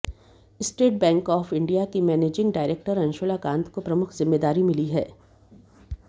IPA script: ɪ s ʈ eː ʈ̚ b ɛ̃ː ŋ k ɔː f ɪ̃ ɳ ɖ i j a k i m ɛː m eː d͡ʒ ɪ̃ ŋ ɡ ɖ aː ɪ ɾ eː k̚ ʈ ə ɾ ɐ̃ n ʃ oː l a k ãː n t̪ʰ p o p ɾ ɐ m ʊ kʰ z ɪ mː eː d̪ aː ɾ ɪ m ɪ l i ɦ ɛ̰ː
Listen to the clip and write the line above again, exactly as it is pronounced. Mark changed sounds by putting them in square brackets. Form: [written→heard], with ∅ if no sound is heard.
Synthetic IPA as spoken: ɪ s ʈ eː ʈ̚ b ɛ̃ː ŋ k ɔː f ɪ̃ ɳ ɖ i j a k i m ɛː [m→n] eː d͡ʒ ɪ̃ ŋ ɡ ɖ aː ɪ ɾ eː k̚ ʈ ə ɾ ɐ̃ n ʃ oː l a k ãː n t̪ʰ [p→k] o p ɾ ɐ m ʊ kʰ z ɪ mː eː d̪ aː ɾ [ɪ→i] m ɪ l i ɦ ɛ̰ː